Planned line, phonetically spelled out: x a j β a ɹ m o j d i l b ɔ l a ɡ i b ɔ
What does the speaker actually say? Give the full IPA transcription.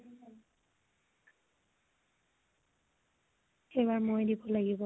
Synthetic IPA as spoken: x e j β a ɹ m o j d i b ɔ l a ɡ i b ɔ